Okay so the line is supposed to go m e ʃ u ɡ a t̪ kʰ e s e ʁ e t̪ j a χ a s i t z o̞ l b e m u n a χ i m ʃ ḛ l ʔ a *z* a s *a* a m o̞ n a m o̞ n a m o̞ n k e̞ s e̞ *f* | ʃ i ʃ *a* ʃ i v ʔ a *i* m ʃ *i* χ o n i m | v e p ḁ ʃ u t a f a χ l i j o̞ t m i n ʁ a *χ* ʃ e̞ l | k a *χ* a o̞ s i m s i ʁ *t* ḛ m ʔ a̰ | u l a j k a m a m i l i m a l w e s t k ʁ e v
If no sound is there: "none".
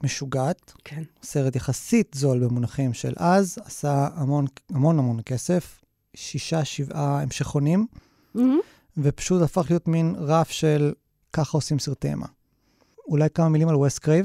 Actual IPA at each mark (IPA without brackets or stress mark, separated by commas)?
z, a, f, a, e, e, f, χ, t